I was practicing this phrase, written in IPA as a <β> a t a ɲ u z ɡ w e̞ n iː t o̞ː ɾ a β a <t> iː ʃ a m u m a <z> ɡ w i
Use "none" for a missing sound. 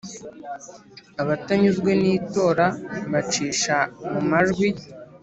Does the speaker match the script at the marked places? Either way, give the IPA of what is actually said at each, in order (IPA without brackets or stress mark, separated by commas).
β, t͡ʃ, ʒ